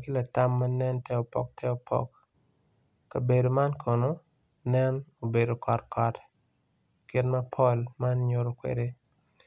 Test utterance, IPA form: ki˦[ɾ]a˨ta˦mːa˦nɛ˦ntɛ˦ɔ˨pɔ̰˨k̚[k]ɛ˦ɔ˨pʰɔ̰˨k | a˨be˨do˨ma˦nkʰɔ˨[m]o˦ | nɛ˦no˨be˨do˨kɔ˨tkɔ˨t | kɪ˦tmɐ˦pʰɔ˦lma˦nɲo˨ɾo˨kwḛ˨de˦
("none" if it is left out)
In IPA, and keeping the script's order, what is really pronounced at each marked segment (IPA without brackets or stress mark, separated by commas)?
l, t, n